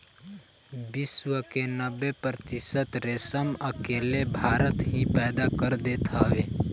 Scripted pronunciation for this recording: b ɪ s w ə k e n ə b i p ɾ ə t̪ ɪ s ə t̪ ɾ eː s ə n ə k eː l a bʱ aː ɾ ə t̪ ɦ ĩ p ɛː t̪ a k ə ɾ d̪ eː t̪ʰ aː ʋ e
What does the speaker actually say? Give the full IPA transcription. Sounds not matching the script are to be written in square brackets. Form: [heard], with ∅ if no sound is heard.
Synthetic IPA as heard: b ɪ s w ə k e n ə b [e] p ɾ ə t̪ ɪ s ə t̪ ɾ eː s ə [m] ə k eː l [e] bʱ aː ɾ ə t̪ ɦ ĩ p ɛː [d̪] a k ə ɾ d̪ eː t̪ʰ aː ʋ e